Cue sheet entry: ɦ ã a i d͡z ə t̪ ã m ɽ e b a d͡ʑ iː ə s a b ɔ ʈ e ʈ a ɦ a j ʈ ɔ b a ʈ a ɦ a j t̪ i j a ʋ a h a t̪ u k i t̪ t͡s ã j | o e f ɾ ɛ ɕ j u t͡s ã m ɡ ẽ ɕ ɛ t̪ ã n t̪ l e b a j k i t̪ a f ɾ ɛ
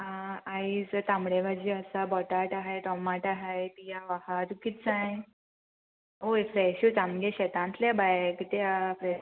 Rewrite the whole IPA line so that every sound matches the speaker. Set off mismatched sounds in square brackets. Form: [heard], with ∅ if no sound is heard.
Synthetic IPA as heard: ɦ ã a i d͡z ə t̪ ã m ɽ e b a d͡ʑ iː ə s a b ɔ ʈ [a] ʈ a ɦ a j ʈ ɔ [m] a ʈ a ɦ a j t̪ i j a ʋ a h a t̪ u k i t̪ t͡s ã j | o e f ɾ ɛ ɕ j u t͡s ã m ɡ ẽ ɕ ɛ t̪ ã n t̪ l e b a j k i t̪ a f ɾ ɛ

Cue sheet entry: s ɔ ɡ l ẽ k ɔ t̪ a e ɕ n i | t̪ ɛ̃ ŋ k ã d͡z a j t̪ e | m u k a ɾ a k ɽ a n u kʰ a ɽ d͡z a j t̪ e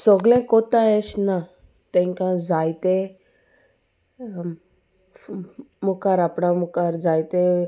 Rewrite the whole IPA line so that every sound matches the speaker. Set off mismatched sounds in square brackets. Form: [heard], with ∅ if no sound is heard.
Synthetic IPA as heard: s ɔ ɡ l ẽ k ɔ t̪ a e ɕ n [a] | t̪ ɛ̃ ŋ k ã d͡z a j t̪ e | m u k a ɾ a [p] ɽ a [m] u [k] a [ɾ] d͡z a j t̪ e

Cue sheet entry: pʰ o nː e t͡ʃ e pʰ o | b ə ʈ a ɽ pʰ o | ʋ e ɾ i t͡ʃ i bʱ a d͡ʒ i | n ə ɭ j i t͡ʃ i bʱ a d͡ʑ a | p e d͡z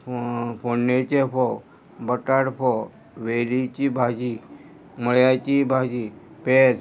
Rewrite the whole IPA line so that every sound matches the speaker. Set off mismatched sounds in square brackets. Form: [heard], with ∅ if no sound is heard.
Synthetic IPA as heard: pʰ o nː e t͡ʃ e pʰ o | b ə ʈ a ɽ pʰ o | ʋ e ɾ i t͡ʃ i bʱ a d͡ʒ i | [m] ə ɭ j [a] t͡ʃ i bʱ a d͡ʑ [i] | p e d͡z

